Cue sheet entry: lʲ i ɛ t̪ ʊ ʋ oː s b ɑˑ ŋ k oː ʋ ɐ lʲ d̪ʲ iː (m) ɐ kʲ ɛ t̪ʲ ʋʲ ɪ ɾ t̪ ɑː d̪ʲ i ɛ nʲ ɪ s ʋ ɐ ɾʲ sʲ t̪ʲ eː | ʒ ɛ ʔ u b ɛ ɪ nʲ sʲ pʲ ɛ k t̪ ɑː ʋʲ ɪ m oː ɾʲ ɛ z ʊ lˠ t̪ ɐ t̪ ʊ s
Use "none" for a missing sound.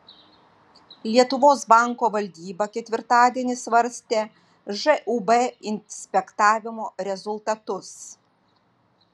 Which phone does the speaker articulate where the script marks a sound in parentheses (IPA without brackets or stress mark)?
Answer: b